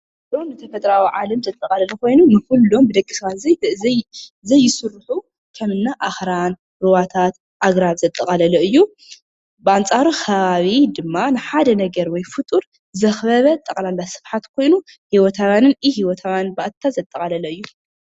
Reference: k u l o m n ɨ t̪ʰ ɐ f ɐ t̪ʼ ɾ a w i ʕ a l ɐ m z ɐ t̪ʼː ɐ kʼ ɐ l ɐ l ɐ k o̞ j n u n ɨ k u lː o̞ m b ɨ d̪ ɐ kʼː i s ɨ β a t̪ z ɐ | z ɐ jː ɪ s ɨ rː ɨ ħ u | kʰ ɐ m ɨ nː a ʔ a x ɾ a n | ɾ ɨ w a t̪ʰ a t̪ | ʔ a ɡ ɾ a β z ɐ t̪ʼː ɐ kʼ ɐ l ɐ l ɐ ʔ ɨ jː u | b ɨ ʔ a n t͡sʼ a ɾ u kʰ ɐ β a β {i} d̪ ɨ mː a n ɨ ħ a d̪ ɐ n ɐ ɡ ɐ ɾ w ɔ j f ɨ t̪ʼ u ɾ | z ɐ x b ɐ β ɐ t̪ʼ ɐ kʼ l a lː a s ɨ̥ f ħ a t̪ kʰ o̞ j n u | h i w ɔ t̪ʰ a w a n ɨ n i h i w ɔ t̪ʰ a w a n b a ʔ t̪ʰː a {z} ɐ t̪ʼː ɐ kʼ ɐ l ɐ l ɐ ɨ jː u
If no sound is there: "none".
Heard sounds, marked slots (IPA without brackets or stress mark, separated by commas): i, z